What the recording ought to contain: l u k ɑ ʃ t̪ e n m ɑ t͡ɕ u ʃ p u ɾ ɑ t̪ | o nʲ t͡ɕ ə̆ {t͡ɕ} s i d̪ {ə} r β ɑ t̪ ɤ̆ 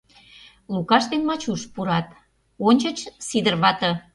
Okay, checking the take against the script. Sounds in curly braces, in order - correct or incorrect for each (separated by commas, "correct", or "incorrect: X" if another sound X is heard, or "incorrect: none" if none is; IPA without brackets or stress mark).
correct, correct